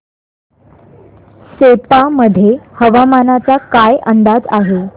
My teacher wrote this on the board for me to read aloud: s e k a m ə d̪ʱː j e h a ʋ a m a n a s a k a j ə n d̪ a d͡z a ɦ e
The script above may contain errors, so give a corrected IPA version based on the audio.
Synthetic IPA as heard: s e p a m ə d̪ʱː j e h ə ʋ a m a n a t͡s a k a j ə n d̪ a d͡z a ɦ e